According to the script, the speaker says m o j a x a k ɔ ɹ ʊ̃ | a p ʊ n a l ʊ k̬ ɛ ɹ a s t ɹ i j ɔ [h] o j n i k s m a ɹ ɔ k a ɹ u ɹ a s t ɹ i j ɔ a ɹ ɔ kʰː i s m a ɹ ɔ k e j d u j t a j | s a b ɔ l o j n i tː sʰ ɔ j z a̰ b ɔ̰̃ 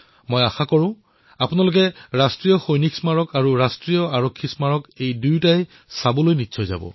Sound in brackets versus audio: incorrect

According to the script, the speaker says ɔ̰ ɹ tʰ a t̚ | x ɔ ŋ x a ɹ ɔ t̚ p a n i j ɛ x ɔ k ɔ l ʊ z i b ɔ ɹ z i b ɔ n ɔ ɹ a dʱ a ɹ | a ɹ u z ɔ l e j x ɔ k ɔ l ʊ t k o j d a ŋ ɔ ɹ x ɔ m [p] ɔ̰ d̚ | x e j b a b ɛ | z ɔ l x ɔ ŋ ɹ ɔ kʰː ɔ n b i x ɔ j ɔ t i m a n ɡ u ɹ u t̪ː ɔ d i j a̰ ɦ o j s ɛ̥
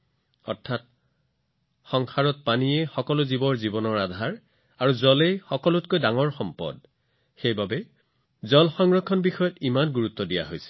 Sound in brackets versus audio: correct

